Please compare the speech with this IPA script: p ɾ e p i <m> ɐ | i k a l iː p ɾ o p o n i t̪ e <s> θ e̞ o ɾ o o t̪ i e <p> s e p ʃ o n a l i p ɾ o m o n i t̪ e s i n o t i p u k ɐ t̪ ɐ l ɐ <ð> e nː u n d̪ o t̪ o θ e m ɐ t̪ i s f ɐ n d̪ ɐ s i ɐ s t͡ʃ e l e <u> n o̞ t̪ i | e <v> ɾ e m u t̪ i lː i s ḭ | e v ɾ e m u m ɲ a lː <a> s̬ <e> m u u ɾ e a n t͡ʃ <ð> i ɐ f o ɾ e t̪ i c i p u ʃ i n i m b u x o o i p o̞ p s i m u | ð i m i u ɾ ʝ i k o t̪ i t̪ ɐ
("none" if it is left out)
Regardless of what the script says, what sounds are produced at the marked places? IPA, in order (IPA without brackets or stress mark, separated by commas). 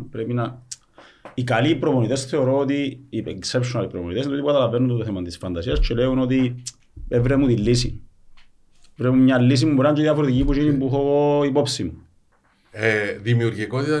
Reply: n, s, k, v, u, v, i, i, ð